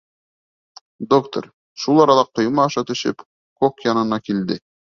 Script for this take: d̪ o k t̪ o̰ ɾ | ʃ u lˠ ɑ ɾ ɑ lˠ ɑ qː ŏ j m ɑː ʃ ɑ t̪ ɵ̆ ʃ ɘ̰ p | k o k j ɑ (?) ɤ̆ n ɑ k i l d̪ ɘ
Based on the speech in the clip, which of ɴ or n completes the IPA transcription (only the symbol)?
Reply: n